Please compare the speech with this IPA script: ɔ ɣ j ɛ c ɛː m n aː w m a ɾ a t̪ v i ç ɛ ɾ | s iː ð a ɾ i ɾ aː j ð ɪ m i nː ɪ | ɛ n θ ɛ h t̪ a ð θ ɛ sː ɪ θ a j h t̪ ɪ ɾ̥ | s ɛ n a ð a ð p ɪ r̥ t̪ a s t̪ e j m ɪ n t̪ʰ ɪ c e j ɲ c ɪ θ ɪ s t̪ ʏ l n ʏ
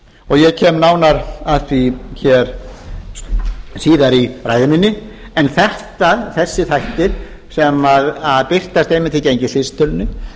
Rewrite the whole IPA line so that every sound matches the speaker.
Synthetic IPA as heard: ɔ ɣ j ɛ cʰ ɛː m n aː w n a ɾ a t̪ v i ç ɛ ɾ | s iː ð a ɾ i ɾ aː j ð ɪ m i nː ɪ | ɛ n θ ɛ h t̪ a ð θ ɛ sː ɪ θ a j h t̪ ɪ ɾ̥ | s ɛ m a ð a ð p ɪ r̥ t̪ a s t̪ e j m ɪ n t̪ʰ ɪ c e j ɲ c ɪ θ ɪ s t̪ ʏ l n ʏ